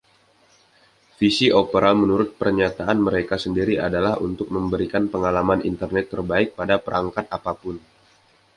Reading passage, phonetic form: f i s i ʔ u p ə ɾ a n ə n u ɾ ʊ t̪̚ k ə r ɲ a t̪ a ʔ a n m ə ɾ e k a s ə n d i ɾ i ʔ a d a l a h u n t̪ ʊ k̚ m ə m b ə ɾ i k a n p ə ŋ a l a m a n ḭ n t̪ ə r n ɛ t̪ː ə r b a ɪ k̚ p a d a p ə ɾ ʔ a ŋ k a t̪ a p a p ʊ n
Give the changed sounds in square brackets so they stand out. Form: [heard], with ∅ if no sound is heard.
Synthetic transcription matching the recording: f i s i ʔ [o] p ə ɾ a [m] ə n u ɾ ʊ t̪̚ [p] ə r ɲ a t̪ a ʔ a n m ə ɾ e k a s ə n d i ɾ i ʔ a d a l a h u n t̪ ʊ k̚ m ə m b ə ɾ i k a n p ə ŋ a l a m a n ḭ n t̪ ə r n ɛ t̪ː ə r b a ɪ k̚ p a d a p ə ɾ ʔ a ŋ k a t̪ a p a p ʊ n